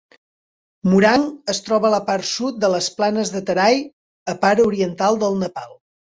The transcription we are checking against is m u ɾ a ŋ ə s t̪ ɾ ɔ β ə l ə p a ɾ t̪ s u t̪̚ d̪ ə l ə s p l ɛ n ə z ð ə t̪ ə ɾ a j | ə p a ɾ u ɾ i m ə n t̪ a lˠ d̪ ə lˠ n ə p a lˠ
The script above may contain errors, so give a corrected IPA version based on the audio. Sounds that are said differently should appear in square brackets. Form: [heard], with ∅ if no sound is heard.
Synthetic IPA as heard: m u ɾ a ŋ ə s t̪ ɾ ɔ β ə l ə p a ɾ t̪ s u t̪̚ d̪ ə l ə s p l [a] n ə z ð ə t̪ ə ɾ a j | ə p a ɾ u ɾ i [∅] ə n t̪ a lˠ d̪ ə lˠ n ə p a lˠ